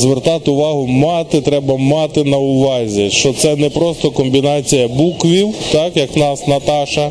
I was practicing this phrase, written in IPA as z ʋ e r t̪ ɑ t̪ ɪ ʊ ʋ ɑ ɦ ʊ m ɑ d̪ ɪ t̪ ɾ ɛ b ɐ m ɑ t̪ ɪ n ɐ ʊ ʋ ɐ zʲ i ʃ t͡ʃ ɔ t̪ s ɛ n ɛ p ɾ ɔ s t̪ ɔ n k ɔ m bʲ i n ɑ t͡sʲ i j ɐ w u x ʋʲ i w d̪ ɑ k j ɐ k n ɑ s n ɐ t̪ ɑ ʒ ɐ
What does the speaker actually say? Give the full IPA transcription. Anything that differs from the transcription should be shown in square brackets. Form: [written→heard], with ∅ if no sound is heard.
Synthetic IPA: z ʋ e r t̪ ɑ t̪ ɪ ʊ ʋ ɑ ɦ ʊ m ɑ [d̪→t̪] ɪ t̪ ɾ ɛ b ɐ m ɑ t̪ ɪ n ɐ ʊ ʋ [ɐ→ɑ] zʲ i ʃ t͡ʃ ɔ t̪ s ɛ n ɛ p ɾ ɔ s t̪ ɔ [n→∅] k ɔ m bʲ i n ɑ t͡sʲ i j ɐ [w→b] u [x→k] ʋʲ i w [d̪→t̪] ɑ k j ɐ k n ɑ s n ɐ t̪ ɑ [ʒ→ʃ] ɐ